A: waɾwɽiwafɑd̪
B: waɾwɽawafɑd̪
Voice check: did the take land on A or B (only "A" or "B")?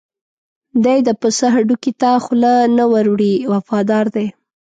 A